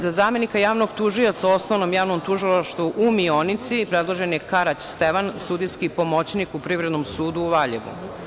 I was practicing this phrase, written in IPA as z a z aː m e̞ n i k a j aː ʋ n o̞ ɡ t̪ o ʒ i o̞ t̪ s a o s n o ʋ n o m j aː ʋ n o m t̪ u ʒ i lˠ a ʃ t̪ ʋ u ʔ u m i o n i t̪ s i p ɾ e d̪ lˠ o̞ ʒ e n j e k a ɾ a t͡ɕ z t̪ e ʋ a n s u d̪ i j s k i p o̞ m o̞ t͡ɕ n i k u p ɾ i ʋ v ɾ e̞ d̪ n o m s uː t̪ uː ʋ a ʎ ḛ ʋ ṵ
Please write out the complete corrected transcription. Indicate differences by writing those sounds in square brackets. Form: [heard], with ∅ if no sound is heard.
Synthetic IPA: z a z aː m e̞ n i k a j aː ʋ n o̞ ɡ t̪ [u] ʒ i o̞ t̪ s a o s n o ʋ n o m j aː ʋ n o m t̪ u ʒ i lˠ a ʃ t̪ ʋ u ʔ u m i o n i t̪ s i p ɾ e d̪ lˠ o̞ ʒ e n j e k a ɾ a t͡ɕ [s] t̪ e ʋ a n s u d̪ i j s k i p o̞ m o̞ t͡ɕ n i k u p ɾ i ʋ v ɾ e̞ d̪ n o m s uː [d̪] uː ʋ a ʎ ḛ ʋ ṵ

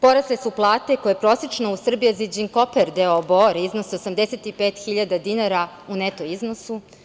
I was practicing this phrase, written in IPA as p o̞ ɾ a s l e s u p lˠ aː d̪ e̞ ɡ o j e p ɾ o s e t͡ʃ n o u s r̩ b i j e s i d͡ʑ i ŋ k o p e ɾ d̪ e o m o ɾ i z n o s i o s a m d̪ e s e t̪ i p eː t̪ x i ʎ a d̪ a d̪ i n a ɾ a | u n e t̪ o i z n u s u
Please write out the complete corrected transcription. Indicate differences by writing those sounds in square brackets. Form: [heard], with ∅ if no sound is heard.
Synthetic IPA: p o̞ ɾ a s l e s u p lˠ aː [t̪] e̞ [k] o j e p ɾ o s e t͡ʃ n o u s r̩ b i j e [z] i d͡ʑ i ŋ k o p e ɾ d̪ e o [b] o ɾ i z n o s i o s a m d̪ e s e t̪ i p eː t̪ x i ʎ a d̪ a d̪ i n a ɾ a | u n e t̪ o i z n [o] s u

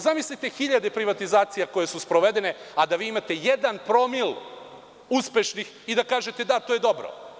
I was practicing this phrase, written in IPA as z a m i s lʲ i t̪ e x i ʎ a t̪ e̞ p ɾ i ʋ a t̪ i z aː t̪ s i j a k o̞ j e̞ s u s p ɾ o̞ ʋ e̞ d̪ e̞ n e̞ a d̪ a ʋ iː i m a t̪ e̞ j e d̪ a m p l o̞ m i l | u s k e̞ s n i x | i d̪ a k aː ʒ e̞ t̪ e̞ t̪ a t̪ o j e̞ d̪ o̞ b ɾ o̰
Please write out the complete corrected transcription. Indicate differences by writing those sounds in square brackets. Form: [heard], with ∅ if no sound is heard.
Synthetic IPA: z a m i s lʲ i t̪ e x i ʎ a [d̪] e̞ p ɾ i ʋ a t̪ i z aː t̪ s i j a k o̞ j e̞ s u s p ɾ o̞ ʋ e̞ d̪ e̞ n e̞ a d̪ a ʋ iː i m a t̪ e̞ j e d̪ a [n] p [ɾ] o̞ m i l | u s [p] e̞ [ʃ] n i x | i d̪ a k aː ʒ e̞ t̪ e̞ [d̪] a t̪ o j e̞ d̪ o̞ b ɾ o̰

